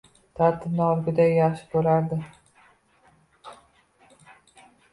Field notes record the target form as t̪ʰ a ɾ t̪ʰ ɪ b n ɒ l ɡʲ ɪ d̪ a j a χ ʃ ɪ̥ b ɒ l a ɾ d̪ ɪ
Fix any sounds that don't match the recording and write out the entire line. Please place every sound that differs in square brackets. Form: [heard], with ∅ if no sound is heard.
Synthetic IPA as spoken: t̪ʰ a ɾ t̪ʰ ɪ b n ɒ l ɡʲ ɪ d̪ a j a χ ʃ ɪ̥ b [o] l a ɾ d̪ ɪ